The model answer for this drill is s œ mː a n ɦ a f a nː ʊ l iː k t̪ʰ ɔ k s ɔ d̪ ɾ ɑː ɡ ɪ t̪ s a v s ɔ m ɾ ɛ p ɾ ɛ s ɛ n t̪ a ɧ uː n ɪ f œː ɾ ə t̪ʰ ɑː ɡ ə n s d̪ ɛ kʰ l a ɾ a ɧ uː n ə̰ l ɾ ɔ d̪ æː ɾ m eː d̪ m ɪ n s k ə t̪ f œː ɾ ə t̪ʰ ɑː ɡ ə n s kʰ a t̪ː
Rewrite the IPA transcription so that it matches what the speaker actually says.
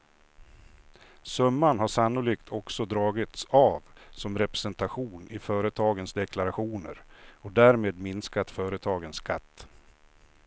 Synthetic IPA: s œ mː a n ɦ a ʂ a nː ʊ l iː k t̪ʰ ɔ k s ɔ d̪ ɾ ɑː ɡ ɪ t̪ s a v s ɔ m ɾ ɛ p ɾ ɛ s ɛ n t̪ a ɧ uː n ɪ f œː ɾ ə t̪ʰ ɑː ɡ ə n s d̪ ɛ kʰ l a ɾ a ɧ uː n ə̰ ɾ ɔ d̪ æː ɾ m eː d̪ m ɪ n s k a t̪ f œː ɾ ə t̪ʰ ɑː ɡ ə n s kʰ a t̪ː